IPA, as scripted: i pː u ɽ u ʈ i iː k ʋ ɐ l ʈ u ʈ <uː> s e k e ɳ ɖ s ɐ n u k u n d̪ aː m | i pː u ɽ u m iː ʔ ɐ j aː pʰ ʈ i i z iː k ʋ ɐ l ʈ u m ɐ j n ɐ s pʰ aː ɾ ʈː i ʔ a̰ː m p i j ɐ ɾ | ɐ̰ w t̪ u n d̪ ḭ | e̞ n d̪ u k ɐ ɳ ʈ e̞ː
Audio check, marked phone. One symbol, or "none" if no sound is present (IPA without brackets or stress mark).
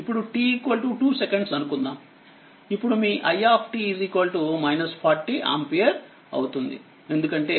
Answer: uː